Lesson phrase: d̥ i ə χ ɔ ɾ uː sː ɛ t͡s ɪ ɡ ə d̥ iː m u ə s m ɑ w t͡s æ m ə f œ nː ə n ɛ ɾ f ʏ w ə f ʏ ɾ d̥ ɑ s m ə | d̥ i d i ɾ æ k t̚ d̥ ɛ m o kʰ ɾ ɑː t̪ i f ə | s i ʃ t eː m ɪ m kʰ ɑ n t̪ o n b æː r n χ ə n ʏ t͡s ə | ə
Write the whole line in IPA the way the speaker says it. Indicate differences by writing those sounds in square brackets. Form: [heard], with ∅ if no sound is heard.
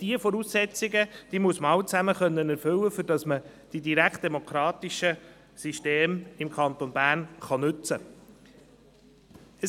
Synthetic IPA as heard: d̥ i ə [f] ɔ ɾ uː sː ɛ t͡s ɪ ɡ ə d̥ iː m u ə s m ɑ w t͡s æ m ə [χ] œ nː ə n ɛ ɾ f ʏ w ə f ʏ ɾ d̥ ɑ s m ə | d̥ i d i ɾ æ k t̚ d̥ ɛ m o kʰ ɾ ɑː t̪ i [ʃ] ə | s i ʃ t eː m ɪ m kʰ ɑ n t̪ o n b æː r n χ [ɑ] n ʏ t͡s ə | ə